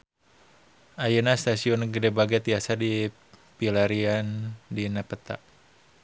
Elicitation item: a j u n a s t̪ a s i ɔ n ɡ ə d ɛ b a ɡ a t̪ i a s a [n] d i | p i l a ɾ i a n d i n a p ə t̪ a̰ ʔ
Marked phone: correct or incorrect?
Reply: incorrect